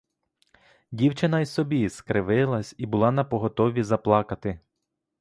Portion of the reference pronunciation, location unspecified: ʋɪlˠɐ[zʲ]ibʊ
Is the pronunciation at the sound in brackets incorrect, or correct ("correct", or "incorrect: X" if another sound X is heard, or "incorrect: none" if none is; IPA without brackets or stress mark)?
incorrect: sʲ